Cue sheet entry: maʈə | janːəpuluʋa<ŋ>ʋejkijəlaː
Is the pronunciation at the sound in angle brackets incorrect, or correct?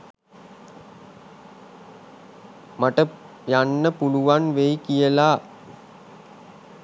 incorrect